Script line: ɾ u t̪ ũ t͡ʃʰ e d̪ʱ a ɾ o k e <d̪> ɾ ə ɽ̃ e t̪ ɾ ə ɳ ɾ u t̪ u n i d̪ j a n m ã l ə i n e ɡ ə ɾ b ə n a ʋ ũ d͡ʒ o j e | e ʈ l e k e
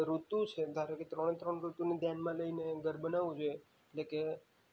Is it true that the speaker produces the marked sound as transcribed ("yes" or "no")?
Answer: no